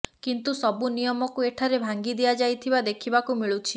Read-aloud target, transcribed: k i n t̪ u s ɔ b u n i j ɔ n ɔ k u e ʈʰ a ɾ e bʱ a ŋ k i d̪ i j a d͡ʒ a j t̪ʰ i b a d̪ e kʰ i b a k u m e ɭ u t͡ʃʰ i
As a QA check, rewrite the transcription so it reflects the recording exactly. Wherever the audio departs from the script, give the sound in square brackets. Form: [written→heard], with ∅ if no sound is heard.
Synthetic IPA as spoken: k i n t̪ u s ɔ b u n i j ɔ [n→m] ɔ k u e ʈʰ a ɾ e bʱ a ŋ [k→ɡ] i d̪ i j a d͡ʒ a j t̪ʰ i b a d̪ e kʰ i b a k u m [e→i] ɭ u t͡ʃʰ i